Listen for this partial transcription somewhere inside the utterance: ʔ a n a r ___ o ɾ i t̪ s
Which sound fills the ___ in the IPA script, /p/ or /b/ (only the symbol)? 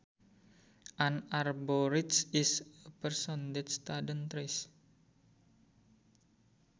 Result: b